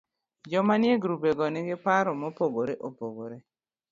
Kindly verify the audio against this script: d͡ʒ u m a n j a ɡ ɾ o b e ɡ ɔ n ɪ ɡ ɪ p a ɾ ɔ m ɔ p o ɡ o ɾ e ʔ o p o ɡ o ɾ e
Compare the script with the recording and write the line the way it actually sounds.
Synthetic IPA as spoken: d͡ʒ ɔ m a n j e ɡ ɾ u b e ɡ ɔ n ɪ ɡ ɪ p a ɾ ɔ m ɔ p o ɡ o ɾ e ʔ o p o ɡ o ɾ e